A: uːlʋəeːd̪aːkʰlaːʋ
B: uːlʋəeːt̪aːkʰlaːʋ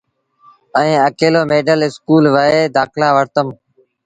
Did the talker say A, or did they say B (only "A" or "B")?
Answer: A